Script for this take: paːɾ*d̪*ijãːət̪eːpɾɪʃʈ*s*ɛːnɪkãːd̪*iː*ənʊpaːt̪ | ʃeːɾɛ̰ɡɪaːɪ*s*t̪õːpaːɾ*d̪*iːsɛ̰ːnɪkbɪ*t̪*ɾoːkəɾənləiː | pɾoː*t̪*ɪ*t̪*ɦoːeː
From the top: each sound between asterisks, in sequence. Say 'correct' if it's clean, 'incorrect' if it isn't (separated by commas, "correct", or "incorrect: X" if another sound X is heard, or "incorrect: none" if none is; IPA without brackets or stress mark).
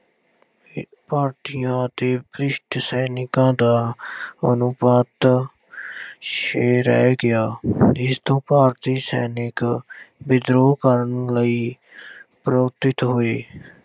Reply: incorrect: t̪, correct, incorrect: aː, correct, incorrect: t̪, incorrect: d̪, correct, correct